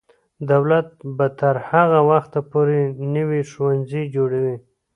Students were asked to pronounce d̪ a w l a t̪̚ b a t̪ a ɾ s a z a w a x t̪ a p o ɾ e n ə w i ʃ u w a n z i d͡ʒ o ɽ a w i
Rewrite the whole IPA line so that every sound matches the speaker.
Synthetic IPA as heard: d̪ a w l a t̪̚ b a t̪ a ɾ h a ɣ a w a x t̪ a p o ɾ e n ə w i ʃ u w a n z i d͡ʒ o ɽ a w i